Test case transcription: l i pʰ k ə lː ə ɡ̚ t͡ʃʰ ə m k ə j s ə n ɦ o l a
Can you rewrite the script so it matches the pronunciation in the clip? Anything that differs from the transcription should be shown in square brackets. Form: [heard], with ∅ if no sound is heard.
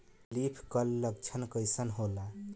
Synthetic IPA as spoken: l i pʰ k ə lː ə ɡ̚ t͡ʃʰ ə [n] k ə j s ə n ɦ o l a